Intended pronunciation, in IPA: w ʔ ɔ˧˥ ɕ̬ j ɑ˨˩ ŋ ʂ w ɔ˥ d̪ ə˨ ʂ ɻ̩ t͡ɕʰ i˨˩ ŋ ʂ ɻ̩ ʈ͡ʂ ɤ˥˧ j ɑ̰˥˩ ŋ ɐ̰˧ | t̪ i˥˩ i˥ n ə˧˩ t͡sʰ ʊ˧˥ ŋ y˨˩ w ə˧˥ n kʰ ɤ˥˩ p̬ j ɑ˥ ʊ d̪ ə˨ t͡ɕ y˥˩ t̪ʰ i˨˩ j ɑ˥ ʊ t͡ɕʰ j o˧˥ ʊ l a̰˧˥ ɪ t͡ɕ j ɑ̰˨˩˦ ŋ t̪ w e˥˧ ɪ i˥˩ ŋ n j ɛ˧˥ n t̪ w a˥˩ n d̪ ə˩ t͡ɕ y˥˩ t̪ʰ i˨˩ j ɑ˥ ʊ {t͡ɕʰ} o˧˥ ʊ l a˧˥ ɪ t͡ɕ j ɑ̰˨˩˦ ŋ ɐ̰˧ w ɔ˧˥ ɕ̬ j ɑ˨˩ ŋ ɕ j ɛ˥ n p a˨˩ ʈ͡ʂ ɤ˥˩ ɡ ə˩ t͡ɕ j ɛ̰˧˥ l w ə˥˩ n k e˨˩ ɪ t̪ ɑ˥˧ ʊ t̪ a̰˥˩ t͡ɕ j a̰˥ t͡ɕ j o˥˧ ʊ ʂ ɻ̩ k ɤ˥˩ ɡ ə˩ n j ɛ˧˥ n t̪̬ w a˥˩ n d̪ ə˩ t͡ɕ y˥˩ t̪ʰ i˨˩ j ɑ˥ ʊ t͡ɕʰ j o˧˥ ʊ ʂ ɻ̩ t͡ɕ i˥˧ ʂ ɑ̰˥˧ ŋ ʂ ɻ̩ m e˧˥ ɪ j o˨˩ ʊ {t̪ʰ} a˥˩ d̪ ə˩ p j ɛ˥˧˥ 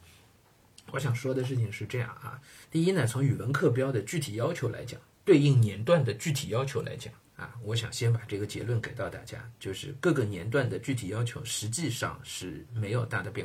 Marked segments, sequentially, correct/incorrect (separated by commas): correct, incorrect